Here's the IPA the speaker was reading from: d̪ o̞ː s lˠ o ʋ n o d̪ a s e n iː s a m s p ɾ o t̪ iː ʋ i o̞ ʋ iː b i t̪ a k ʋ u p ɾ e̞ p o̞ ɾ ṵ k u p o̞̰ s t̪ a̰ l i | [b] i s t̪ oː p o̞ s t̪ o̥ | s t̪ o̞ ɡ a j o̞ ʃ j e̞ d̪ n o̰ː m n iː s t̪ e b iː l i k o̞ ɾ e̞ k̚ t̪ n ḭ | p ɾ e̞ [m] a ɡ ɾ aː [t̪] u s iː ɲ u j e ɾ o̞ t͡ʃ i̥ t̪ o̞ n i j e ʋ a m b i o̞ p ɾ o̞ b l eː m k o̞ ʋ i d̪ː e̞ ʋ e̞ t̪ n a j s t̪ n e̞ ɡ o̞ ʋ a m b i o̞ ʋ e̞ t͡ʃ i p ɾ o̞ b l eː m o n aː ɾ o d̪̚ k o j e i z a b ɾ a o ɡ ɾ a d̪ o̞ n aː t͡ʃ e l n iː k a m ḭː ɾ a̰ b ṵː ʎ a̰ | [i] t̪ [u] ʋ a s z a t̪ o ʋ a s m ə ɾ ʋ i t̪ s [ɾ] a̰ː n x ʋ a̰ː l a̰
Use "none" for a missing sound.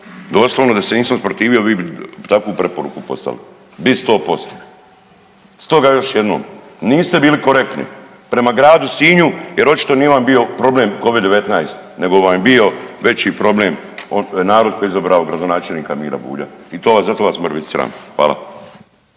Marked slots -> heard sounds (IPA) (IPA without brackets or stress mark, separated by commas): b, m, d̪, i, o, ɾ